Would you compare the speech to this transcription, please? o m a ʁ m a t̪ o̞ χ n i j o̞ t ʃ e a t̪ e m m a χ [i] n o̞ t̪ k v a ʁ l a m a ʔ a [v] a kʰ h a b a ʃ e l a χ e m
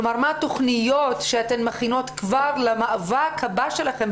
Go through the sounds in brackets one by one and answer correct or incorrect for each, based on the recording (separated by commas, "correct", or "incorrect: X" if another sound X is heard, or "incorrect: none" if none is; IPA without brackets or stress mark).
correct, correct